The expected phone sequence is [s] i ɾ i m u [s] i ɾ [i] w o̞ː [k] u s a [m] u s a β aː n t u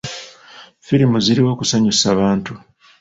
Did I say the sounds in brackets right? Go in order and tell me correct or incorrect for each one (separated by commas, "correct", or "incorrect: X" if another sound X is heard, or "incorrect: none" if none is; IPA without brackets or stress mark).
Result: incorrect: f, incorrect: z, correct, correct, incorrect: ɲ